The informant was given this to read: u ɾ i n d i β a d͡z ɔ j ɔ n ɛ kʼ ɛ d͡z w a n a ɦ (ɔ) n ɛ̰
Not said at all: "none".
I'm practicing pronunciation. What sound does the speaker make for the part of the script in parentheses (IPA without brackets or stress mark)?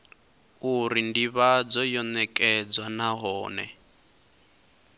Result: ɔː